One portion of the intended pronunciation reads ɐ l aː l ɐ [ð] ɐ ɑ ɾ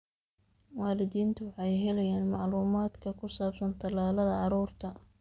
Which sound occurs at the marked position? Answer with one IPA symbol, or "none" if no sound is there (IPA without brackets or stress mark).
ð